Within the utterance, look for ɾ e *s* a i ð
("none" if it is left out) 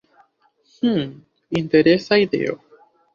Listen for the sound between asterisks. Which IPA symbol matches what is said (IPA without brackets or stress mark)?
s